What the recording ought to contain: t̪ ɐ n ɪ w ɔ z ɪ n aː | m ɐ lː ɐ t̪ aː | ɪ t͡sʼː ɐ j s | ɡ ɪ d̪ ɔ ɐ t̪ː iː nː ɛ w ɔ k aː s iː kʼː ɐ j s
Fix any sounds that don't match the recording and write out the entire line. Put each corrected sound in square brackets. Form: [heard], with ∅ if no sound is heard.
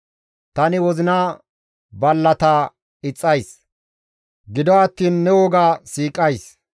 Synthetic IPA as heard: t̪ ɐ n ɪ w ɔ z ɪ n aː | [b] ɐ lː ɐ t̪ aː | ɪ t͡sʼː ɐ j s | ɡ ɪ d̪ ɔ ɐ t̪ː iː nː ɛ w ɔ [ɡ] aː s iː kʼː ɐ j s